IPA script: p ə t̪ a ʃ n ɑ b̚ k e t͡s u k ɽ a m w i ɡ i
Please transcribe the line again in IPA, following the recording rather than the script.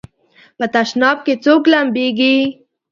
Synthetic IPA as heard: p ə t̪ a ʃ n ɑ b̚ k e t͡s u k l a m b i ɡ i